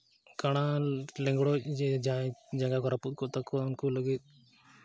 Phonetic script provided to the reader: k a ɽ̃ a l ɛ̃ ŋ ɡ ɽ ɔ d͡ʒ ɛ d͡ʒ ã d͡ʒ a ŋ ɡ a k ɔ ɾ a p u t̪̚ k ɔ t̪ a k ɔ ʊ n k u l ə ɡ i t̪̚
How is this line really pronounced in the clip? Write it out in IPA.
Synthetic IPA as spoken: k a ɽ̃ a l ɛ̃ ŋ ɡ ɽ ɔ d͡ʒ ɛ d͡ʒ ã d͡ʒ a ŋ ɡ a k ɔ ɾ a p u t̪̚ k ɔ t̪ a k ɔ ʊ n k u l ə ɡ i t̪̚